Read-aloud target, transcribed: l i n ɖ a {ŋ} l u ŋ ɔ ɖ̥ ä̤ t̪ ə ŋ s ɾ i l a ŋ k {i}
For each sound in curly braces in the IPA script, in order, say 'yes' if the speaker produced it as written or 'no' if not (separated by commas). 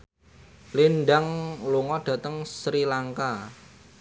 yes, no